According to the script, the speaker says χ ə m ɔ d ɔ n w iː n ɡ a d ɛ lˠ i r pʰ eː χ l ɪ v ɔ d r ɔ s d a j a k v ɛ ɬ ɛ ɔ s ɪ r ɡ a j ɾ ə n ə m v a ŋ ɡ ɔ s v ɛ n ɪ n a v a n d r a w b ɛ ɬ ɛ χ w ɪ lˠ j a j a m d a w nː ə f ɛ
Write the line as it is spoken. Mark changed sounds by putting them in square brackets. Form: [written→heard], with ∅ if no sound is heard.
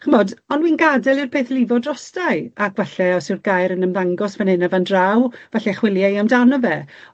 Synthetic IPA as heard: χ ə m ɔ d ɔ n w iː n ɡ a d ɛ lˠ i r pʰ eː [χ→θ] l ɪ v ɔ d r ɔ s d a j a k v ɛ ɬ ɛ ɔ s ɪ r ɡ a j ɾ ə n ə m [v→ð] a ŋ ɡ ɔ s v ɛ n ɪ n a v a n d r a w [b→v] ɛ ɬ ɛ χ w ɪ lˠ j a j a m d a w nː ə [f→v] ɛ